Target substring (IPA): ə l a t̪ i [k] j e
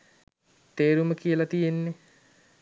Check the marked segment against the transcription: incorrect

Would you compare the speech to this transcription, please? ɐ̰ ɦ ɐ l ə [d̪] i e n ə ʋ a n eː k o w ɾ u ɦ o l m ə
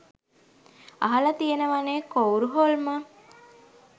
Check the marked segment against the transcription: incorrect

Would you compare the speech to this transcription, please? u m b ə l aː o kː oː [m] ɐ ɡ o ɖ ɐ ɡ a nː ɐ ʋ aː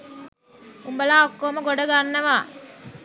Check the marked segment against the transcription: correct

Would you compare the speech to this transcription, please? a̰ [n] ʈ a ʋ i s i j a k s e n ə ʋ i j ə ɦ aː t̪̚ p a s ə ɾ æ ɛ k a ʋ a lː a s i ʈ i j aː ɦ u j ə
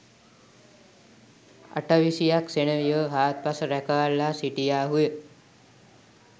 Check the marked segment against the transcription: incorrect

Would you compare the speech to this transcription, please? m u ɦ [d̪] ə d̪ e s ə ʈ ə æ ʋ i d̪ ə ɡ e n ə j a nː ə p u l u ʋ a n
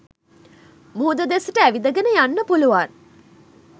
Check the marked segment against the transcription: correct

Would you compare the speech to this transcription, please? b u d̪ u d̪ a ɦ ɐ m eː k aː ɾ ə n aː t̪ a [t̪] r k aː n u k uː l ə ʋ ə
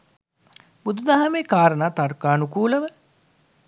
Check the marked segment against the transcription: incorrect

